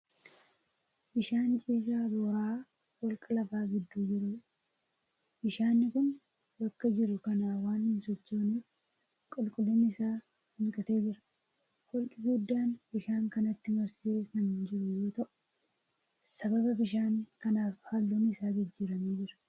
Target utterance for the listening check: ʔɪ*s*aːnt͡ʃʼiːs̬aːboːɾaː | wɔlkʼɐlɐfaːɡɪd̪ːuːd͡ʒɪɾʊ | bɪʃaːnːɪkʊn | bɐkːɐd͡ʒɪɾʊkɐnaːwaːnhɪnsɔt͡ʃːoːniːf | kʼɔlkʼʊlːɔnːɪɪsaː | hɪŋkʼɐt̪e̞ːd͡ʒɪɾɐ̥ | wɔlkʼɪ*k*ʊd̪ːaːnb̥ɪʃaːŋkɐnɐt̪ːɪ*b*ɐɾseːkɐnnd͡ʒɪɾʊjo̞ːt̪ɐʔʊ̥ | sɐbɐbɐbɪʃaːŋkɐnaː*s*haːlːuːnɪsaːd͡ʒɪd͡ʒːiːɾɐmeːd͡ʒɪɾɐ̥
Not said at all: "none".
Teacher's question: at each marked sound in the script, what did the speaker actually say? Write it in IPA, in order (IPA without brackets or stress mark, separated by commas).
ʃ, ɡ, m, f